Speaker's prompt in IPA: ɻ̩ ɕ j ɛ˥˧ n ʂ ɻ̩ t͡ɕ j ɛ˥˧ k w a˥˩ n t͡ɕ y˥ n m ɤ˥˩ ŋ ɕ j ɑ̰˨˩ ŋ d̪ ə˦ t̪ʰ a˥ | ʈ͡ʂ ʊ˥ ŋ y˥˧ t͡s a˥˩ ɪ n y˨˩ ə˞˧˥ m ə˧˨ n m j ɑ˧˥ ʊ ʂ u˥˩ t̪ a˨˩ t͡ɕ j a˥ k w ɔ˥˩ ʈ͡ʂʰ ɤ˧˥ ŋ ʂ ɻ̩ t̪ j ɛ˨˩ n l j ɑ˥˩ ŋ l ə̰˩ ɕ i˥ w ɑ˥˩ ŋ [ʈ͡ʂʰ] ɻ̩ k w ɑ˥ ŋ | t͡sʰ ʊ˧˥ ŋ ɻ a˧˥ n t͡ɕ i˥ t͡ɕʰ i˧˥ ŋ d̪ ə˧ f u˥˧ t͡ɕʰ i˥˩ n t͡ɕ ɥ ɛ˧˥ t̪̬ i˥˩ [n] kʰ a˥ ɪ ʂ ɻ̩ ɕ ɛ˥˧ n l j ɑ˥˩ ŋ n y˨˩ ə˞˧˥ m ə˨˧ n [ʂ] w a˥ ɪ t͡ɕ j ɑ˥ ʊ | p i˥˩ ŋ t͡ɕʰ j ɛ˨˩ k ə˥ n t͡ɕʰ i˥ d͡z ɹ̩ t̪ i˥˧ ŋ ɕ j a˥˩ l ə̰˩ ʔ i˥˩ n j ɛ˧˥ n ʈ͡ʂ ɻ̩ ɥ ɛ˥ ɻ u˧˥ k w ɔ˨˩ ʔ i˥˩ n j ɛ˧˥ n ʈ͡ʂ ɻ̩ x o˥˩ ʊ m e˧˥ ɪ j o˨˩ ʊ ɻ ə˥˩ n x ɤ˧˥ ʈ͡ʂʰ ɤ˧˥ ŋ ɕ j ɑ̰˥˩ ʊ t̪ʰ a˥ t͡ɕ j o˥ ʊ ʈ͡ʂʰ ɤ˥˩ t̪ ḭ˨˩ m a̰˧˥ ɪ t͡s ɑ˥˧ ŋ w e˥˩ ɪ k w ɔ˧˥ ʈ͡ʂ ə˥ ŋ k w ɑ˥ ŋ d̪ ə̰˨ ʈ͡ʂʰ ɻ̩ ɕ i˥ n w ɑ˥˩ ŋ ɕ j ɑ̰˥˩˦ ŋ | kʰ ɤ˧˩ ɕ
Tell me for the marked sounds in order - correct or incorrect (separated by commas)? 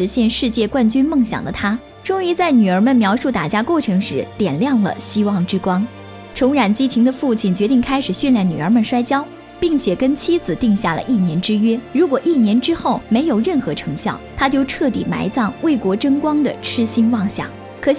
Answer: incorrect, incorrect, correct